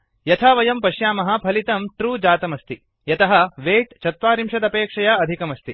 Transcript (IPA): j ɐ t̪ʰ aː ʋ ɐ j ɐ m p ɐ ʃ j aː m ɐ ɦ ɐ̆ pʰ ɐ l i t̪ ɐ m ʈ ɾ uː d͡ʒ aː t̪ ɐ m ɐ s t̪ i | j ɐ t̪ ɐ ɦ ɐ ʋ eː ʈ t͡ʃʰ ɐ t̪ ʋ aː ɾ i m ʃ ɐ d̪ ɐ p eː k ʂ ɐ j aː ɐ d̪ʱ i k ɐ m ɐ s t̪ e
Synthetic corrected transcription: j ɐ t̪ʰ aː ʋ ɐ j ɐ m p ɐ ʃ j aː m ɐ ɦ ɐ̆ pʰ ɐ l i t̪ ɐ m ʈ ɾ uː d͡ʒ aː t̪ ɐ m ɐ s t̪ i | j ɐ t̪ ɐ ɦ ɐ ʋ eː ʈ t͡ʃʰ ɐ t̪ ʋ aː ɾ i m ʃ ɐ d̪ ɐ p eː k ʂ ɐ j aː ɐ d̪ʱ i k ɐ m ɐ s t̪ i